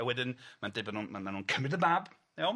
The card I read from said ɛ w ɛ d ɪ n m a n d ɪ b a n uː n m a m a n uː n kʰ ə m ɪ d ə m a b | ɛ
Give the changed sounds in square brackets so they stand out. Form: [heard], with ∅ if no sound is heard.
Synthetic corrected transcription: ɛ w ɛ d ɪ n m a n d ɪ b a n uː n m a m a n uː n kʰ ə m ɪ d ə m a b | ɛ